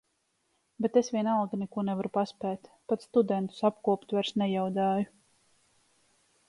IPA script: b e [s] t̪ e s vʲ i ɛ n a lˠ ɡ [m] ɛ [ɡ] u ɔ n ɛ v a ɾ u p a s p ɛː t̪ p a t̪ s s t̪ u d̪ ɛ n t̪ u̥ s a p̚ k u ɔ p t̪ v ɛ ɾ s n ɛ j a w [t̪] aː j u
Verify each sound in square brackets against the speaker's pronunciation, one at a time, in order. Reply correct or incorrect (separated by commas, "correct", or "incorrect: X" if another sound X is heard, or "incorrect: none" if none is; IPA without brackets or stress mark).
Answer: incorrect: none, incorrect: n, incorrect: k, incorrect: d̪